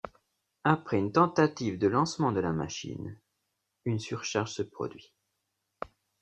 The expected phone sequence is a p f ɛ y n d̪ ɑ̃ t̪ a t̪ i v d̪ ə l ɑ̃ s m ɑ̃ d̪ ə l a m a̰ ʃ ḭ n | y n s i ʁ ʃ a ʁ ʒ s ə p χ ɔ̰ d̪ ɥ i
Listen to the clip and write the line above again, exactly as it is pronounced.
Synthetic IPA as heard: a p χ ɛ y n t̪ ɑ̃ t̪ a t̪ i v d̪ ə l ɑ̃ s m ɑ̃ d̪ ə l a m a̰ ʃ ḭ n | y n s y ʁ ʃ a ʁ ʒ s ə p χ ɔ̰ d̪ ɥ i